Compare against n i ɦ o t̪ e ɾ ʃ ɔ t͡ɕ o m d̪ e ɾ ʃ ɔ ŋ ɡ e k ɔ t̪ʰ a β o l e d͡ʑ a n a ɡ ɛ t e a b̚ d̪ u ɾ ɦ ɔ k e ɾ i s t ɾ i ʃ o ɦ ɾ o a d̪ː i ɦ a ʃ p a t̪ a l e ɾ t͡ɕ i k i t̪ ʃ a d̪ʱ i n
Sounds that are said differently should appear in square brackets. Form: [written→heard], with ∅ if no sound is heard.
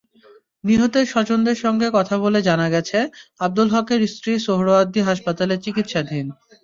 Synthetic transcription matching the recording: n i ɦ o t̪ e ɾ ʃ ɔ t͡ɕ o [m→n] d̪ e ɾ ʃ ɔ ŋ ɡ e k ɔ t̪ʰ a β o l e d͡ʑ a n a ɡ ɛ [t→t͡ɕʰ] e a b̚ d̪ u [ɾ→l] ɦ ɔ k e ɾ i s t ɾ i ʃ o ɦ ɾ o a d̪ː i ɦ a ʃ p a t̪ a l e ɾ t͡ɕ i k i t̪ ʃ a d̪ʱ i n